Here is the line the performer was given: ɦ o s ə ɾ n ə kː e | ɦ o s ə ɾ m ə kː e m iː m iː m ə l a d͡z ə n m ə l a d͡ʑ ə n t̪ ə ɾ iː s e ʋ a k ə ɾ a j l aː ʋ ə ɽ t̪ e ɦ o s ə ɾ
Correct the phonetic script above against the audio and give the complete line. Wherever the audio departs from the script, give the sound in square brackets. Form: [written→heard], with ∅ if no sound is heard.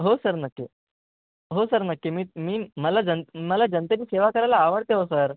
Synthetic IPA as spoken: ɦ o s ə ɾ n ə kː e | ɦ o s ə ɾ [m→n] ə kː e m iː m iː m ə l a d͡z ə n m ə l a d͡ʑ ə n t̪ ə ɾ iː s e ʋ a k ə ɾ a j l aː ʋ ə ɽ t̪ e ɦ o s ə ɾ